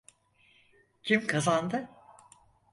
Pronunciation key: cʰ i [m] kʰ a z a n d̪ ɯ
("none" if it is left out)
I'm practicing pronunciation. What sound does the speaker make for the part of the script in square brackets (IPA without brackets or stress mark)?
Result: m